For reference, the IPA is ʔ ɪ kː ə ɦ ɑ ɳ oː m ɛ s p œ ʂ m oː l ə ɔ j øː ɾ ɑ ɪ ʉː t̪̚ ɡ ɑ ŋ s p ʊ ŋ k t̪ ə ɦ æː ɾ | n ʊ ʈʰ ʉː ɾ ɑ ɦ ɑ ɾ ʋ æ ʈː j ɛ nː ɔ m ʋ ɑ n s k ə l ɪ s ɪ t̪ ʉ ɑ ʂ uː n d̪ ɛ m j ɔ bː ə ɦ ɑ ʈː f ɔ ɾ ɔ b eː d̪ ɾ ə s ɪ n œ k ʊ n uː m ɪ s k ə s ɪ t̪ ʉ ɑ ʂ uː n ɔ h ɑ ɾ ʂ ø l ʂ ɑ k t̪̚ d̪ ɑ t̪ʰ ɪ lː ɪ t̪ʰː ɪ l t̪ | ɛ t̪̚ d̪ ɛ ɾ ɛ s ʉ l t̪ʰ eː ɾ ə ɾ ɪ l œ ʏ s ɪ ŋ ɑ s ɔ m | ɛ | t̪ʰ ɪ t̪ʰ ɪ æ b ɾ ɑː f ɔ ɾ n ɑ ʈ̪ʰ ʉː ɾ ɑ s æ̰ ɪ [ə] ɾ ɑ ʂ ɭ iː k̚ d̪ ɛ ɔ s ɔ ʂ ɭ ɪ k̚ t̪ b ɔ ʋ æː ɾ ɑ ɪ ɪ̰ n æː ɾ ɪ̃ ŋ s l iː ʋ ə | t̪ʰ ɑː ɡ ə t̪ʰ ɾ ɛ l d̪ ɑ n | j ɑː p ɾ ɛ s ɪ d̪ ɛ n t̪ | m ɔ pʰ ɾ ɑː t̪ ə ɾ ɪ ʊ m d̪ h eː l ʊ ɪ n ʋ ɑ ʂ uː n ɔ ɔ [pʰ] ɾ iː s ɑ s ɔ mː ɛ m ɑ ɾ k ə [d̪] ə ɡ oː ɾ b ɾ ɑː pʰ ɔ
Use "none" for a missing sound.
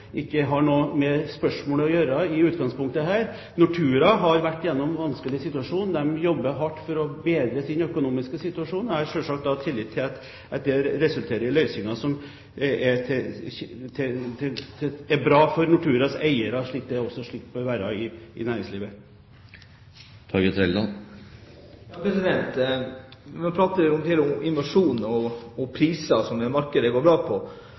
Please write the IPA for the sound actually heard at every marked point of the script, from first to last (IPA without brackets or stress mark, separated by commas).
ə, pʰ, d̪